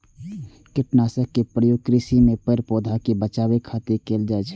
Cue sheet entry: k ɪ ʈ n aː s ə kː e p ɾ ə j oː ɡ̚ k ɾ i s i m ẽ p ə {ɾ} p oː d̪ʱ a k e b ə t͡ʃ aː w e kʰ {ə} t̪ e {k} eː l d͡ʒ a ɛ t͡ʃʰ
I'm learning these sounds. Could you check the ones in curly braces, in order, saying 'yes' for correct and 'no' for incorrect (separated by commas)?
yes, no, yes